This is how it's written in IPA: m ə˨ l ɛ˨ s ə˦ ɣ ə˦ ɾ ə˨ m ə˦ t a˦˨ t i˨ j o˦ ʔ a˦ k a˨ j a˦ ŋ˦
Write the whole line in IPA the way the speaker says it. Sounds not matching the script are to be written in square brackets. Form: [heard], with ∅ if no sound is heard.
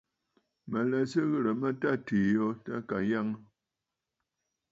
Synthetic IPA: m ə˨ l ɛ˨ s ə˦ ɣ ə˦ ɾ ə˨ m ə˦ t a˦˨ t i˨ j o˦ [t] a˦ k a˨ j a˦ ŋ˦